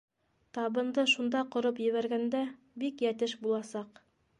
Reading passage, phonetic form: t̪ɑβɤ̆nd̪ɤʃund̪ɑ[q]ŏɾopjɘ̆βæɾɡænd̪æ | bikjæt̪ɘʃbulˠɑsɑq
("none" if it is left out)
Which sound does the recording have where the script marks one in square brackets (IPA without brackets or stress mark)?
q